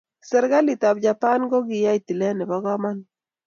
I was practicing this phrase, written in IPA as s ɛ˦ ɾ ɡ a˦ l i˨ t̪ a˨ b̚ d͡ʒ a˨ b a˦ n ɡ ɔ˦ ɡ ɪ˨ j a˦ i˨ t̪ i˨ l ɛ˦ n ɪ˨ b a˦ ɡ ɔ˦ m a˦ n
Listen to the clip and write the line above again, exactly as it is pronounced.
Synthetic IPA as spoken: s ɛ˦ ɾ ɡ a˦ l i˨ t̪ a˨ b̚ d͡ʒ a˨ p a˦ n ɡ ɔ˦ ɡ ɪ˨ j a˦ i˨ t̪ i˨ l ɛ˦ n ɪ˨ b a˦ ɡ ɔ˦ m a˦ n